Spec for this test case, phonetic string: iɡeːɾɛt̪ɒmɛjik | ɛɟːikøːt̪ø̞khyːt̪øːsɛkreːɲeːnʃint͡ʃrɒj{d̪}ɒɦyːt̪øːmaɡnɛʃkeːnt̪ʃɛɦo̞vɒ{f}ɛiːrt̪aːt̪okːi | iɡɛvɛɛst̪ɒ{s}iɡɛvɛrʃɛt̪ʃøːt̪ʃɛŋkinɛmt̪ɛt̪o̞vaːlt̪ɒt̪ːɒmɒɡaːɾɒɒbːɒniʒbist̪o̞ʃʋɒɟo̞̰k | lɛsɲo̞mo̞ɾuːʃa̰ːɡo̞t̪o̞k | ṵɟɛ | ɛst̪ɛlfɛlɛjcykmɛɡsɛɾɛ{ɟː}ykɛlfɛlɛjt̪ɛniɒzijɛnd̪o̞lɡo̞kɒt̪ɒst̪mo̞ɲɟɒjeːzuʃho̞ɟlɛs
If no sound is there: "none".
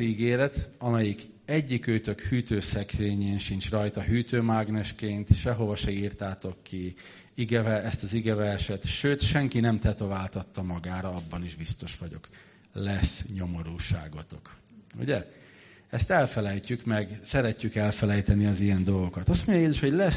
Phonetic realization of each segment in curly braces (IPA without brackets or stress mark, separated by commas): t̪, ʃ, z, cː